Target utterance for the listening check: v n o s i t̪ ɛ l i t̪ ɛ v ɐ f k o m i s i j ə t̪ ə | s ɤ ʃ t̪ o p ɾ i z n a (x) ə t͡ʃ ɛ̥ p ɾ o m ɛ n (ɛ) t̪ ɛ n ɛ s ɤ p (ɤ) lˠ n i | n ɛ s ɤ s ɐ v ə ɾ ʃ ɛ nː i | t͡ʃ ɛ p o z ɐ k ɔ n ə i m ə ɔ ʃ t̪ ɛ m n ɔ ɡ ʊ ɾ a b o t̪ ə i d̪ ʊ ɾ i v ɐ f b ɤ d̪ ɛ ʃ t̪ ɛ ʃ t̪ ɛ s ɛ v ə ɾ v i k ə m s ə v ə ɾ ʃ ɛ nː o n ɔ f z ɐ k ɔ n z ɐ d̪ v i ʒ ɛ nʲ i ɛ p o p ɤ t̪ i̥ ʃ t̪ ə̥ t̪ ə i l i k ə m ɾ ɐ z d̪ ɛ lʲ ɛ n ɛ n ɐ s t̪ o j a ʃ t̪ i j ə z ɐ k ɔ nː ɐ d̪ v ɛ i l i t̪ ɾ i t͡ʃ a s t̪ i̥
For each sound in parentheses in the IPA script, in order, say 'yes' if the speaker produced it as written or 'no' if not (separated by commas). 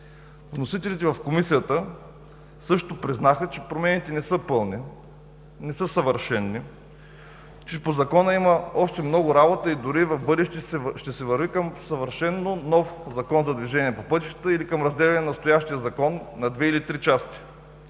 yes, no, yes